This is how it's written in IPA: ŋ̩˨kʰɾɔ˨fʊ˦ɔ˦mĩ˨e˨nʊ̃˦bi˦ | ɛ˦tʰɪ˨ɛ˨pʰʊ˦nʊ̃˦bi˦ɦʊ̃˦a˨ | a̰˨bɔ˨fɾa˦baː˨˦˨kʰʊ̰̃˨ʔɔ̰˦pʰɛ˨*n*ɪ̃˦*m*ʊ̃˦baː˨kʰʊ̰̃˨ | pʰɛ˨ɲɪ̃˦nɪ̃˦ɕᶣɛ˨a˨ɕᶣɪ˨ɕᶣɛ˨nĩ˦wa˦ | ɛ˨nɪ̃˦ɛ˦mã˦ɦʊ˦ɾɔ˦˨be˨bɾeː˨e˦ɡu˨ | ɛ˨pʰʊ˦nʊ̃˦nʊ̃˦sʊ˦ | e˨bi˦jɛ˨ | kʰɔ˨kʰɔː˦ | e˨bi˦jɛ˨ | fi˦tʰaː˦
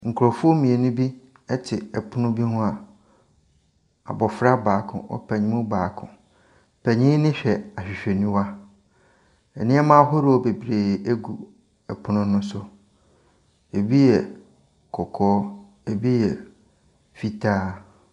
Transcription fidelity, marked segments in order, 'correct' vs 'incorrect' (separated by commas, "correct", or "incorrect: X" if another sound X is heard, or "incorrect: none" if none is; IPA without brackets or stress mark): incorrect: ɲ, correct